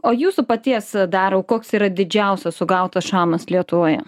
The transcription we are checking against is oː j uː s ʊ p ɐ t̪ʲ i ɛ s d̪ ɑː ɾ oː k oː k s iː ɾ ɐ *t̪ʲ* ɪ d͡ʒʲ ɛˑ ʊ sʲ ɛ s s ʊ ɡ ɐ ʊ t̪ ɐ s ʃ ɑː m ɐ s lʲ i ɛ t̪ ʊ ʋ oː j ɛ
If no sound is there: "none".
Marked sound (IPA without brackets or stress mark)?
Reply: d̪ʲ